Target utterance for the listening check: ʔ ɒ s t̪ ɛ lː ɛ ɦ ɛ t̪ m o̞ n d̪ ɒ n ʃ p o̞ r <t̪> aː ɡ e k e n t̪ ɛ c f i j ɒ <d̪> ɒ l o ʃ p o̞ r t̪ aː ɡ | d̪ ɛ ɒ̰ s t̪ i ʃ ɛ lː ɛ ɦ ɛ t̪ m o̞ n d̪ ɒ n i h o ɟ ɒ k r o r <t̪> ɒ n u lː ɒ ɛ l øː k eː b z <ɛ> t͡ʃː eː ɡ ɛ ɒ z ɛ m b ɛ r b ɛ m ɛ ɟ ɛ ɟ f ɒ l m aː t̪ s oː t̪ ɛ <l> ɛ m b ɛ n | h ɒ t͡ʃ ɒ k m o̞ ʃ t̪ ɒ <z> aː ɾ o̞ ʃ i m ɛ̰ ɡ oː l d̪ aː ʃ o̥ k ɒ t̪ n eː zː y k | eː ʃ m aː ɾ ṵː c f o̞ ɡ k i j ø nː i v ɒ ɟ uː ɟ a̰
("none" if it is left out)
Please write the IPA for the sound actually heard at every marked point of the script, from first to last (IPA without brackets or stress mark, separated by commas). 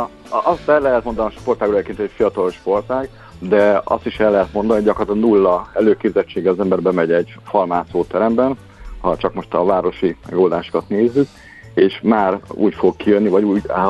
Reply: t̪, t̪, t̪, ɛ, ɾ, v